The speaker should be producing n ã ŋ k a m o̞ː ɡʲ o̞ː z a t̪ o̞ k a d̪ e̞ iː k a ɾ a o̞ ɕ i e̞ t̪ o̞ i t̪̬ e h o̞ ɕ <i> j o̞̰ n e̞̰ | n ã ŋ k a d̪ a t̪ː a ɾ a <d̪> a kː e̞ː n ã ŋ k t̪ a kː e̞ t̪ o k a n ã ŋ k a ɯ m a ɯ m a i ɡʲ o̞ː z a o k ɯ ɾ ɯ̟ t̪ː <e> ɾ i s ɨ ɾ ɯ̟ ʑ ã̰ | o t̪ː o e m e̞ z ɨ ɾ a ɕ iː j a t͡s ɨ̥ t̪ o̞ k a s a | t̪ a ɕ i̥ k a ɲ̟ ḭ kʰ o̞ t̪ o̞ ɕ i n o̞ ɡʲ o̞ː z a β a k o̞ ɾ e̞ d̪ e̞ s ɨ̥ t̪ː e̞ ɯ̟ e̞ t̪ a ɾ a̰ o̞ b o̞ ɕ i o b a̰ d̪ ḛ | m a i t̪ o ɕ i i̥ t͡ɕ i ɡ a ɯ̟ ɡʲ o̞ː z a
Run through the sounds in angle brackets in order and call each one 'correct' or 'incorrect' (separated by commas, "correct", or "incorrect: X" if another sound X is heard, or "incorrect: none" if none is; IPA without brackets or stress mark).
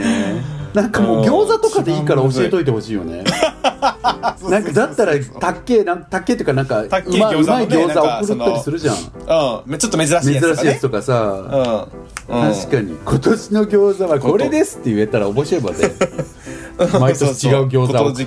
incorrect: iː, incorrect: t̪, incorrect: a